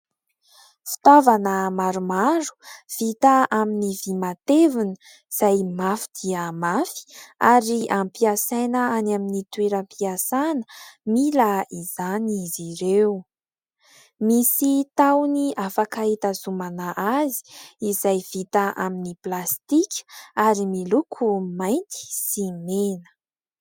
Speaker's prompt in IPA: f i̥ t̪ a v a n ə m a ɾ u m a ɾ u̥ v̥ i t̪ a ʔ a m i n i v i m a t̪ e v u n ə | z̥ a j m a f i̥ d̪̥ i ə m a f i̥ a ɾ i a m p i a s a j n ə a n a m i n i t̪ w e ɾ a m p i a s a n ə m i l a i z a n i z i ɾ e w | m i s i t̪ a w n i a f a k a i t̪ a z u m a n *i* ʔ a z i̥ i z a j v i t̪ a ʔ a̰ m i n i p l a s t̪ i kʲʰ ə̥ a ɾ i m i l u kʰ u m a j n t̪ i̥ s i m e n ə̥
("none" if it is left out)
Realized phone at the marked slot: a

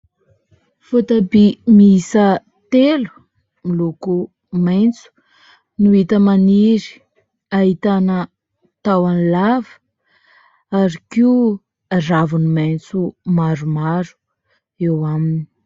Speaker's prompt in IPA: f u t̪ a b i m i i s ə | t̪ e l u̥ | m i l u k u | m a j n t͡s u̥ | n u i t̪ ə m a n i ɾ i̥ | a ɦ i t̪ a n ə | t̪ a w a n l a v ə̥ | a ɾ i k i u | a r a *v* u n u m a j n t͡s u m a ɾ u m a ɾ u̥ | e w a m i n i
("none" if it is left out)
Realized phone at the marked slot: v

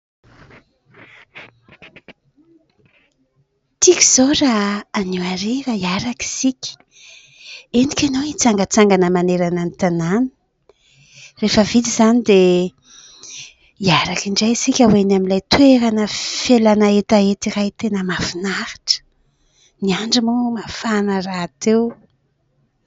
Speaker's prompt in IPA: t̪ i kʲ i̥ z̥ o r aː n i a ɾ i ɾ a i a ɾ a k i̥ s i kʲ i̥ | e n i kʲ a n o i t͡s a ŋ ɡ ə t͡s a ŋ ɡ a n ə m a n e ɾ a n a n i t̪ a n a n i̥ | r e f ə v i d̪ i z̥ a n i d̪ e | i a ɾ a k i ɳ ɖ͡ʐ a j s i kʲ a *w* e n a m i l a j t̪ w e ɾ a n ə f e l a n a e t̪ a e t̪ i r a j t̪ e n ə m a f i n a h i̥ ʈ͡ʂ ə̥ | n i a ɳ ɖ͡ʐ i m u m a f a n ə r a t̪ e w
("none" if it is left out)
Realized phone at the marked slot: w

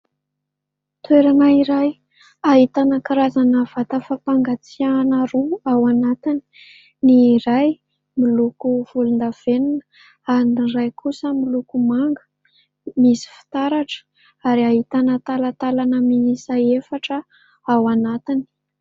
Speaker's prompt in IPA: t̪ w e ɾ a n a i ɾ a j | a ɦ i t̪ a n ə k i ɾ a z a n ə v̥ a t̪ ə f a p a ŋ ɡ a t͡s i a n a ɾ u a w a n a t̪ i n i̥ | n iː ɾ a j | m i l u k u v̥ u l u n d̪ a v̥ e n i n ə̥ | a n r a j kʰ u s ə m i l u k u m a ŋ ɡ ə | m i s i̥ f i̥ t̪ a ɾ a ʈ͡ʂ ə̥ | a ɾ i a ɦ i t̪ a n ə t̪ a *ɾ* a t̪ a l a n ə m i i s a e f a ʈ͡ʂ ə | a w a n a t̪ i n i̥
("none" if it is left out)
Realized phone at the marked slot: l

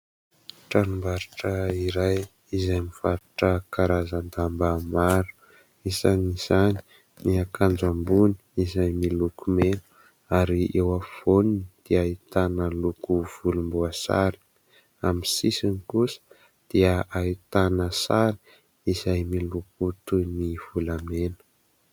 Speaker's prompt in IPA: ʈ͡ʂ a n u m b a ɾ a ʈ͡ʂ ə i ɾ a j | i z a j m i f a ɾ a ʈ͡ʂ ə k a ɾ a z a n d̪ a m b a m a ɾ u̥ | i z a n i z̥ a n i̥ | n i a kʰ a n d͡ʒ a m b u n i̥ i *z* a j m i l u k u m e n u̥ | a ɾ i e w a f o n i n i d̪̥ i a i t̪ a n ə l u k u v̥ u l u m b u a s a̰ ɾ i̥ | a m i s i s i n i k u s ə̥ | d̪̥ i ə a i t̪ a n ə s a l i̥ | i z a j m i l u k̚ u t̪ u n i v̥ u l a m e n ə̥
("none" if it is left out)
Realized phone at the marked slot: z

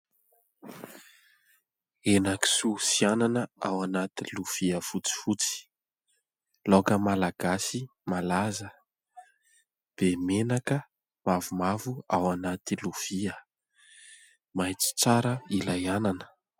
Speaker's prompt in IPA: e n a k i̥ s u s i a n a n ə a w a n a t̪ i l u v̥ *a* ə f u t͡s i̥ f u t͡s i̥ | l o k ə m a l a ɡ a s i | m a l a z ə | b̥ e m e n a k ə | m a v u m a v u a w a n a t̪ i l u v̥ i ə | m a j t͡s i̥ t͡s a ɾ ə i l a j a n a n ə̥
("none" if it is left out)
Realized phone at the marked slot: i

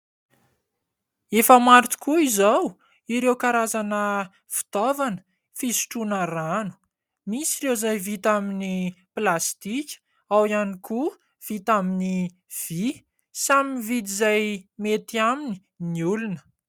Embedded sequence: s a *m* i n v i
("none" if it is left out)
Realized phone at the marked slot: m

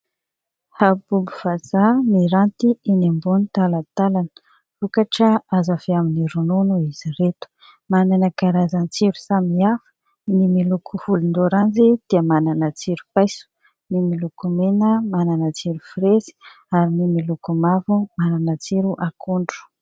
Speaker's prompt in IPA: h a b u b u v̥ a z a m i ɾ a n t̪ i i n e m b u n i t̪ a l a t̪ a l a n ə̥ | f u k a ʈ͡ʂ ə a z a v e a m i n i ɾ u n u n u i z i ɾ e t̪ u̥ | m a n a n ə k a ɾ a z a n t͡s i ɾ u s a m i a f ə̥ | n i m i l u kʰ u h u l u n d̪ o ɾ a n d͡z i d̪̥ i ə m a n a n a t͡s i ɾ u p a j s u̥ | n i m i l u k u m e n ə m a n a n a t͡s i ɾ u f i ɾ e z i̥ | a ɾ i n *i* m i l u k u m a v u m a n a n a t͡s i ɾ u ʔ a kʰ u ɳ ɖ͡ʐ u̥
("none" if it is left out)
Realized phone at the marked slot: i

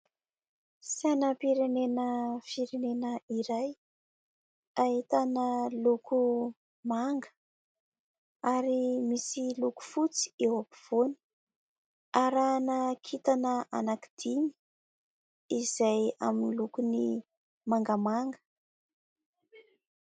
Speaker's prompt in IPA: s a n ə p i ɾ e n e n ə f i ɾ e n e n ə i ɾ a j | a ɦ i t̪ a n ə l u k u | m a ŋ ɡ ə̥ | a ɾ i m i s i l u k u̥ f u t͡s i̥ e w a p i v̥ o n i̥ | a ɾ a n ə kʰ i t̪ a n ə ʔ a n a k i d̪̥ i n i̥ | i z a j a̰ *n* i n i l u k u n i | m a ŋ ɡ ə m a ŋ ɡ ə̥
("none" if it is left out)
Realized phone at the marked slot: m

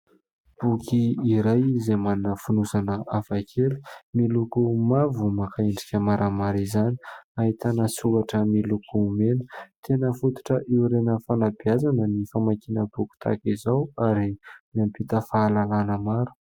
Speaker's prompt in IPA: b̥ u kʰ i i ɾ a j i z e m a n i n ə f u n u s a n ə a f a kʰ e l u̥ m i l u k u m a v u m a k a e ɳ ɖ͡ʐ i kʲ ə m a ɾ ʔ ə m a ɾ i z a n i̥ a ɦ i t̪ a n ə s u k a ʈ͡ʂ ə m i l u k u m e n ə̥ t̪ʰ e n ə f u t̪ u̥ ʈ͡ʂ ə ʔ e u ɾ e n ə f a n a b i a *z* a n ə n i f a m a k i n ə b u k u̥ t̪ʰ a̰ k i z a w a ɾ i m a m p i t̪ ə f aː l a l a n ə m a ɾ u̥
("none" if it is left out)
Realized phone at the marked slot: z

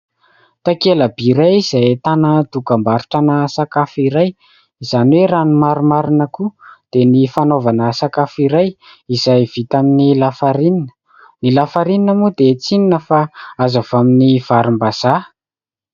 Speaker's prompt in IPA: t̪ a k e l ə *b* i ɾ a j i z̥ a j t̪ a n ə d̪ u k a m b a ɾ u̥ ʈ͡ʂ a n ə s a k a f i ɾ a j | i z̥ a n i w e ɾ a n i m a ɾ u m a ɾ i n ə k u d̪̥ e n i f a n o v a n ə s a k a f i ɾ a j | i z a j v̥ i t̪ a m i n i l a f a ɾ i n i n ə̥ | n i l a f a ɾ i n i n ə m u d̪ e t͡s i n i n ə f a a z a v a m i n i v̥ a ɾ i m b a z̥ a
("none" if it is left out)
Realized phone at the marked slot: b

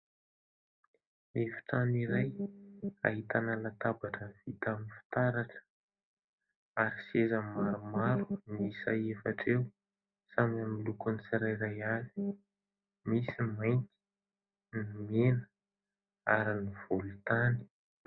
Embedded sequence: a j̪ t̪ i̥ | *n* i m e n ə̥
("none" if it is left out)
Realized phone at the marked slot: n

